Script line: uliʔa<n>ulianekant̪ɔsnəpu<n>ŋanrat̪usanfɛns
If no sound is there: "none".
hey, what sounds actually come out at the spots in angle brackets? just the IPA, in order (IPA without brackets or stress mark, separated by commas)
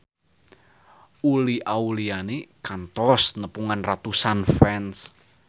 none, none